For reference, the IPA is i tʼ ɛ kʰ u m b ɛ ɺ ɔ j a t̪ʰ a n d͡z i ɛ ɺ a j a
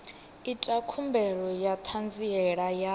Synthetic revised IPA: i tʼ a kʰ u m b ɛ ɺ ɔ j a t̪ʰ a n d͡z i ɛ ɺ a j a